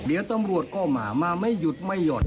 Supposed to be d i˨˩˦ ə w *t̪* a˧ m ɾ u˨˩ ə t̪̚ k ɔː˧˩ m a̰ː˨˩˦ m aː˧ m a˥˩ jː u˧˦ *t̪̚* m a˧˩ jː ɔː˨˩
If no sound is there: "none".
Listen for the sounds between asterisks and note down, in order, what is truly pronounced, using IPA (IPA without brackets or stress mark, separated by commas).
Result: t̪, t̪̚